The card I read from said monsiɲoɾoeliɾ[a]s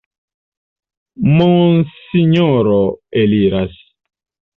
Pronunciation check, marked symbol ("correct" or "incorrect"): correct